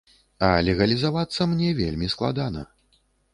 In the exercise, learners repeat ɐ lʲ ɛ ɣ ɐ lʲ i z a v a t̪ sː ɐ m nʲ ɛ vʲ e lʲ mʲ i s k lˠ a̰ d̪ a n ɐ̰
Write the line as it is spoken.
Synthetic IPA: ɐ lʲ ɛ ɣ ɐ lʲ i z a v a t̪ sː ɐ m nʲ ɛ vʲ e lʲ mʲ i s k lˠ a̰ d̪ a n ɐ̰